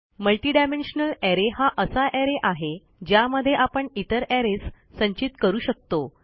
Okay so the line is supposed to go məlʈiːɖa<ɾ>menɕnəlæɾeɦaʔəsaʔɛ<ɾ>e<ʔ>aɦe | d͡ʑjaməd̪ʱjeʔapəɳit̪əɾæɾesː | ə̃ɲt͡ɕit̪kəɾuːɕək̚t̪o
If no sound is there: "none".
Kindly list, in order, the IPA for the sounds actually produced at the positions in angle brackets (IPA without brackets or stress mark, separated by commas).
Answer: none, ɾ, ʔ